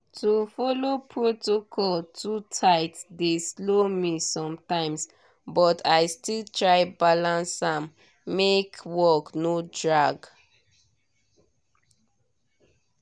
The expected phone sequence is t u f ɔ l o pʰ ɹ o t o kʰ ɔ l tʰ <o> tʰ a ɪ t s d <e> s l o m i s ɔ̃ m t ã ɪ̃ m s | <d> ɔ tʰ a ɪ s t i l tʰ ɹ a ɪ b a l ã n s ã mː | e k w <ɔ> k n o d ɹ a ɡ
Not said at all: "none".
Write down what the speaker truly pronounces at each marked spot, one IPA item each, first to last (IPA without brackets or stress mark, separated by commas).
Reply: u, e, b, ɔ